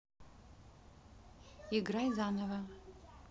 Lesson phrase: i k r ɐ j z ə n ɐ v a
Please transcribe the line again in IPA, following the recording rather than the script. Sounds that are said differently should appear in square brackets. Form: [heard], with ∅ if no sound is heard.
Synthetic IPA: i [ɡ] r [a] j z [a] n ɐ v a